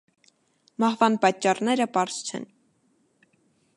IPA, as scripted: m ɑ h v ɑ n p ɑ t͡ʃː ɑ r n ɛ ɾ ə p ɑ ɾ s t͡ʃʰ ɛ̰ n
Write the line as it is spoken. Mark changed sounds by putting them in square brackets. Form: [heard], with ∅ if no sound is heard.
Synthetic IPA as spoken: m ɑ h v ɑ n p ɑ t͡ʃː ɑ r n ɛ ɾ ə p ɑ ɾ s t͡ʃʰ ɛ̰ n